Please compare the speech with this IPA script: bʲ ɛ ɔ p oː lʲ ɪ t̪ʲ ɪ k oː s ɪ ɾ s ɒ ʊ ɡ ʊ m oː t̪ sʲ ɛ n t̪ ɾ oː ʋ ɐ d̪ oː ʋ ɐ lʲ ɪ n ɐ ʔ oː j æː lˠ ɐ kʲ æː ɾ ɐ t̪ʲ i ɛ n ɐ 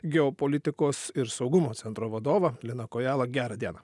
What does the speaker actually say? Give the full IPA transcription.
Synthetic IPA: ɡʲ ɛ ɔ p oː lʲ ɪ t̪ʲ ɪ k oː s ɪ ɾ s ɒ ʊ ɡ ʊ m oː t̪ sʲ ɛ n t̪ ɾ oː ʋ ɐ d̪ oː ʋ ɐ lʲ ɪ n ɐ k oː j æː lˠ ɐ ɡʲ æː ɾ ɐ d̪ʲ i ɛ n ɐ